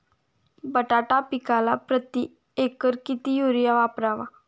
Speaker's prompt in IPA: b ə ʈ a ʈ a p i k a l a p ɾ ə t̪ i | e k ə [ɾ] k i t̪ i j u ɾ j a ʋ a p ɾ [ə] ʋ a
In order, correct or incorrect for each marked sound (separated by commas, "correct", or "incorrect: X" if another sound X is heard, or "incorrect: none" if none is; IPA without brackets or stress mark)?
correct, incorrect: a